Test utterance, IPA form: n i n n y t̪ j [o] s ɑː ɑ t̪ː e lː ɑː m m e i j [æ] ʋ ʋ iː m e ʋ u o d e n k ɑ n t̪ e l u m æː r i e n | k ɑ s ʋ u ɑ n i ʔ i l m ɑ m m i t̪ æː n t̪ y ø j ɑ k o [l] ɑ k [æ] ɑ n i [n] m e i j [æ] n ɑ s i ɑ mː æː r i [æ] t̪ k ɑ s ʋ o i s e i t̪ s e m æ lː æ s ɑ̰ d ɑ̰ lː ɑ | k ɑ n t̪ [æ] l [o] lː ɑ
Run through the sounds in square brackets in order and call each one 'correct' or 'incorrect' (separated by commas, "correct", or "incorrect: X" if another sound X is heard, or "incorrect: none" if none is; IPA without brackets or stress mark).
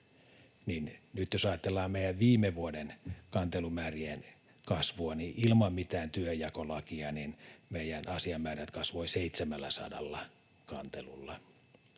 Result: correct, correct, correct, incorrect: i, correct, correct, correct, incorrect: e, incorrect: u